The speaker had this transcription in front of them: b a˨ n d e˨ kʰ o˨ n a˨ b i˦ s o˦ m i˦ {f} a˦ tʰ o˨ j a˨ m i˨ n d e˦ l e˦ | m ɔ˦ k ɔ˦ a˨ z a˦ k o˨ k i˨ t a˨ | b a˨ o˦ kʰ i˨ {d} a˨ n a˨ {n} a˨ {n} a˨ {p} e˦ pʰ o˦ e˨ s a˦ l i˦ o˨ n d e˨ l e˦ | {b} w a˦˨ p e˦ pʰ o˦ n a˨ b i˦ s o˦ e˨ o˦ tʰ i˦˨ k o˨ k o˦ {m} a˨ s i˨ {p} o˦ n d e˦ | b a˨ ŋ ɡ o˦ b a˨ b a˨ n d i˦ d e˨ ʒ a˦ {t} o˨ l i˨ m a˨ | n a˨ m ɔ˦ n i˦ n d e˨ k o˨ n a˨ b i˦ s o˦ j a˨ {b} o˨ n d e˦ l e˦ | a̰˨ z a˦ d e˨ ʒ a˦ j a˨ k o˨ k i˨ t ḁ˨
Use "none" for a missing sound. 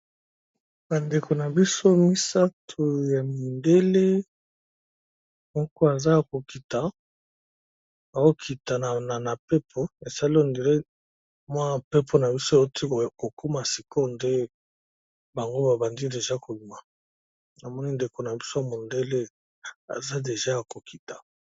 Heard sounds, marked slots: s, t, n, n, p, m, m, k, k, m

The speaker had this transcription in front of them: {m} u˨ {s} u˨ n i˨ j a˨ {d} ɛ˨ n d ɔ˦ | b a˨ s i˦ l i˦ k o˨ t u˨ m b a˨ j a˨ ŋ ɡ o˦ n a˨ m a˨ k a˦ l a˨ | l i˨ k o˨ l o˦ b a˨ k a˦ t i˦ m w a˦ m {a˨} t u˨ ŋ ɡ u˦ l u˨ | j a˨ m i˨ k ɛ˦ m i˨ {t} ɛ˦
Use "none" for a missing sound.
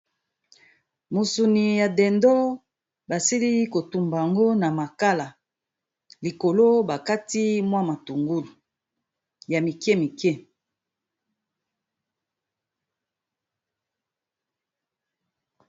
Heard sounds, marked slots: m, s, d, a˨, k

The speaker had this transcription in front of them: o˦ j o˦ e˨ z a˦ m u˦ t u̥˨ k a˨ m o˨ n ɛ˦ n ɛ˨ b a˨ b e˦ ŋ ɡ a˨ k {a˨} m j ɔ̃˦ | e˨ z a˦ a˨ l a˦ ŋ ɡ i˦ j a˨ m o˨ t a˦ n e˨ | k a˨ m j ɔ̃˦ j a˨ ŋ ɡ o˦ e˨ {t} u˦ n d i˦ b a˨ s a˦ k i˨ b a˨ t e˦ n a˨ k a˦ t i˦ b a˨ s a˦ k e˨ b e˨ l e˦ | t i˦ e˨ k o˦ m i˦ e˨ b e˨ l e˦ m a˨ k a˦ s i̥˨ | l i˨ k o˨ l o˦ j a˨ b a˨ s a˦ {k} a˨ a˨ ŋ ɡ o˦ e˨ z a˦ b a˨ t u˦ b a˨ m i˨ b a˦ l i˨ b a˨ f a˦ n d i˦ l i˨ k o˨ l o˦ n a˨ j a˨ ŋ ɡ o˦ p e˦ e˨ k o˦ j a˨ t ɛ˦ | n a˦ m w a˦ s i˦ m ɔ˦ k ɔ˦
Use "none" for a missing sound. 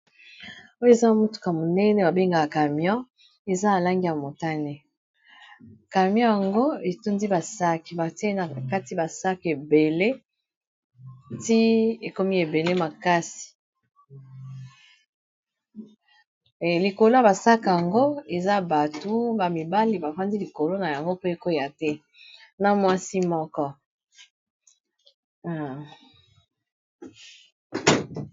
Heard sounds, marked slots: a˨, t, k

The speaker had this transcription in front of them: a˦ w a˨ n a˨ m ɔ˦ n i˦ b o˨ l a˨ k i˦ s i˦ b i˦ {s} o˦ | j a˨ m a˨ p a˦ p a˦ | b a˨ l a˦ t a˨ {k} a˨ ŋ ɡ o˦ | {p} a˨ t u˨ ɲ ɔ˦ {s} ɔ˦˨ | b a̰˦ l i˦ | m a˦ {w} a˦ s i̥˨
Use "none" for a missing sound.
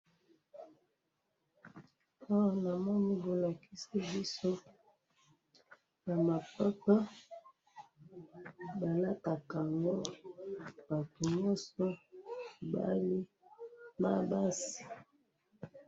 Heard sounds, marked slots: s, k, b, s, b

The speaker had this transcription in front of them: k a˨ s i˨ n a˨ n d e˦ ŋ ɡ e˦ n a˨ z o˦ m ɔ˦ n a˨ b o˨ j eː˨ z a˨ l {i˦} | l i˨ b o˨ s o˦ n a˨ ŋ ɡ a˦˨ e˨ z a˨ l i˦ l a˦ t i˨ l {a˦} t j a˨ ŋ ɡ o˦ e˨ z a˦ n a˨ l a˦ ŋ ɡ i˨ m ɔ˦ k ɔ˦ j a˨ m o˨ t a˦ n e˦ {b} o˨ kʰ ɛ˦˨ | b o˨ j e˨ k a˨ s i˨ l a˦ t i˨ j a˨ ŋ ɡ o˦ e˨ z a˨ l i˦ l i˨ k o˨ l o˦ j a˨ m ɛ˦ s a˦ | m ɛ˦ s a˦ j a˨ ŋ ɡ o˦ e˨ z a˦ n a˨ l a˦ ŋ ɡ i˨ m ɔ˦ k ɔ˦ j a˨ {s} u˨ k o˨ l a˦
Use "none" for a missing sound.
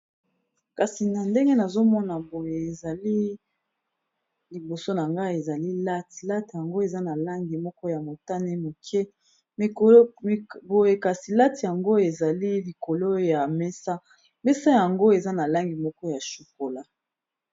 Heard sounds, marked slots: i˦, a˦, m, ʃ

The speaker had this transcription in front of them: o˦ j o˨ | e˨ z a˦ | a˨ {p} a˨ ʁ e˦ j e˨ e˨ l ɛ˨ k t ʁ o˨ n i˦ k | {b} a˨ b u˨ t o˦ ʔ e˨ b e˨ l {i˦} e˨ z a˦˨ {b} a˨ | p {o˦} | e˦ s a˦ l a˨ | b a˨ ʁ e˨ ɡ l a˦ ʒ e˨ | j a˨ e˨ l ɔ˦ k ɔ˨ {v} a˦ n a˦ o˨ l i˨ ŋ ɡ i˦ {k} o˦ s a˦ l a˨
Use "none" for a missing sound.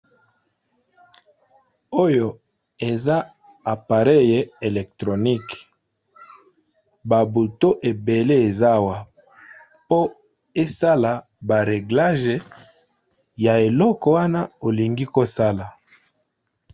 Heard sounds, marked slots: p, b, e˦, w, o˦, w, k

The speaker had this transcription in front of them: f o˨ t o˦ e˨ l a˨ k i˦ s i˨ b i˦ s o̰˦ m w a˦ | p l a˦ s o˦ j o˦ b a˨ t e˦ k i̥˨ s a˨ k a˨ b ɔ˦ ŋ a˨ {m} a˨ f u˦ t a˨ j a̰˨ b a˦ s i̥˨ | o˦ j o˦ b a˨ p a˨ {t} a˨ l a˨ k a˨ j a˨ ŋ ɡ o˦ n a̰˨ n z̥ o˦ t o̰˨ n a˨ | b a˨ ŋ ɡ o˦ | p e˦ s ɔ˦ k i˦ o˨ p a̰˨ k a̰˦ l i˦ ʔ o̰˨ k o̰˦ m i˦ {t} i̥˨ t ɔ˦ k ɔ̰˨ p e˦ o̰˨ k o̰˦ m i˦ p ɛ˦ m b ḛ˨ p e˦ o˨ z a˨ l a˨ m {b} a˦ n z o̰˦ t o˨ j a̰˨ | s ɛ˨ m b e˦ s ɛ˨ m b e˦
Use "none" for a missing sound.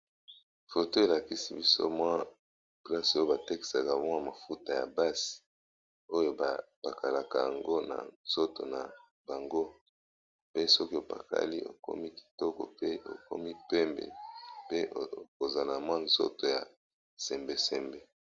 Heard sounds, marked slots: m, k, k, w

